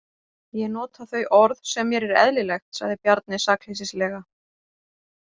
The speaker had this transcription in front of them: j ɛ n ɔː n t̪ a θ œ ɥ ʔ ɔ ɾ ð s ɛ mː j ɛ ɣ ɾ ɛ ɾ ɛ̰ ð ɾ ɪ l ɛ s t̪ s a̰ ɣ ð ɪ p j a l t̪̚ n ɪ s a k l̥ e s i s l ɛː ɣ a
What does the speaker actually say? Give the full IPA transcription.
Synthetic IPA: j ɛ n ɔː t̪ a θ œ ɥ ʔ ɔ ɾ ð s ɛ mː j ɛ ɾ ɛ ɾ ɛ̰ ð l ɪ l ɛ x t̪ s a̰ ɣ ð ɪ p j a ɾ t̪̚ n ɪ s a k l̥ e s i s l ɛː ɣ a